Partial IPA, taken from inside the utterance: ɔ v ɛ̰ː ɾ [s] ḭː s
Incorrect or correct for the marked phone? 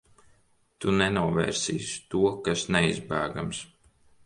correct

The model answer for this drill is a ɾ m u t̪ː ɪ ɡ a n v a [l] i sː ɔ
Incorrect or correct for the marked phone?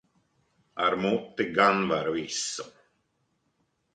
incorrect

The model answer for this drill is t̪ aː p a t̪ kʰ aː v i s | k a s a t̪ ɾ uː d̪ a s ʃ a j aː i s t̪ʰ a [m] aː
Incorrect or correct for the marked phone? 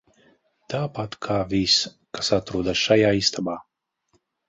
incorrect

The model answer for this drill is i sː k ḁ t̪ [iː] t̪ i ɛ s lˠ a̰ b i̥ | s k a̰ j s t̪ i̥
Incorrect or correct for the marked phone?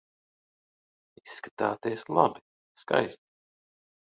incorrect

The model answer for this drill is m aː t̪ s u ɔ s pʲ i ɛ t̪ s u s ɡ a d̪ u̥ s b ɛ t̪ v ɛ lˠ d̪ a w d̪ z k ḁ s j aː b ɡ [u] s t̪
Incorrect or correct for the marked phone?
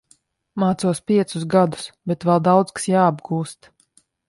incorrect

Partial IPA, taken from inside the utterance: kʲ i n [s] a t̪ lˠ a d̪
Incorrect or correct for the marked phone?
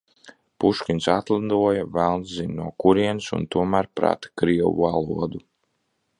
correct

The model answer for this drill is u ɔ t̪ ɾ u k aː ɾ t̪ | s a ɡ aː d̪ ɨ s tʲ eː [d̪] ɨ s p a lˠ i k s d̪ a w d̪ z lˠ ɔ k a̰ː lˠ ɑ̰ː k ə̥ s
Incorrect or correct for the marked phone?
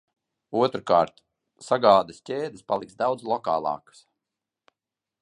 correct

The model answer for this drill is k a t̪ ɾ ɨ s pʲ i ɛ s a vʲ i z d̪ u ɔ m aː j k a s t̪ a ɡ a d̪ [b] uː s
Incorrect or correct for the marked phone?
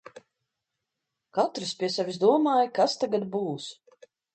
correct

